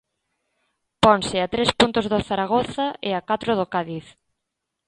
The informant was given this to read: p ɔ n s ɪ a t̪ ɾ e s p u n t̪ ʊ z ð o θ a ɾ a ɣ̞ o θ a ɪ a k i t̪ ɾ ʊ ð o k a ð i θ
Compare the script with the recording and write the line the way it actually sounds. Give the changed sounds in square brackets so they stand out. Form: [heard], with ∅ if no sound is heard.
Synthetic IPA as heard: p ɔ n s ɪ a t̪ ɾ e s p u n t̪ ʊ z ð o θ a ɾ a ɣ̞ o θ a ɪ a k [a] t̪ ɾ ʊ ð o k a ð i θ

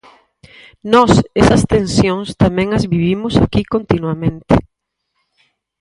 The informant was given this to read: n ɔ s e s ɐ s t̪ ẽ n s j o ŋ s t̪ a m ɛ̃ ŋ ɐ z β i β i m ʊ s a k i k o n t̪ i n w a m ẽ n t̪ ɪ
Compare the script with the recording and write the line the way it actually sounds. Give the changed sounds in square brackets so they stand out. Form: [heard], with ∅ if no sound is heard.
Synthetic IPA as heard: n ɔ s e s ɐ s t̪ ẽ n s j o ŋ s t̪ a m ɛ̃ ŋ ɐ z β i β i m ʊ s a k i k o n t̪ i n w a m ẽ n t̪ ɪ

